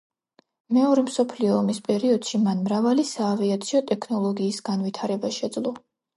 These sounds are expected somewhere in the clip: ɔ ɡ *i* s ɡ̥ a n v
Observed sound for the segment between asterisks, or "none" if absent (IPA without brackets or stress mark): iː